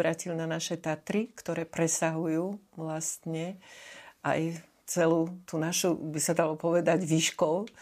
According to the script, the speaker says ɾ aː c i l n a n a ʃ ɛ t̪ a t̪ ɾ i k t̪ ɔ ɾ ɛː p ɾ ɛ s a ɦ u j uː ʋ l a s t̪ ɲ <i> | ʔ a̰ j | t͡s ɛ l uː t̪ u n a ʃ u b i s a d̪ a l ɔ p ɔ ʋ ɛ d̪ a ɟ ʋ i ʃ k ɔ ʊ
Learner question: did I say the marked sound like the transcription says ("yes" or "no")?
no